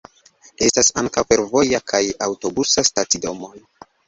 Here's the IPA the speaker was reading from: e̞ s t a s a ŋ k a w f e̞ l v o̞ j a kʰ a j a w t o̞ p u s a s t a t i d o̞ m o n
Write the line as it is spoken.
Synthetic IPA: e̞ s t a s a ŋ k a w f e̞ ɾ v o̞ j a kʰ a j a w t o̞ b u s a s t a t i d o̞ m o n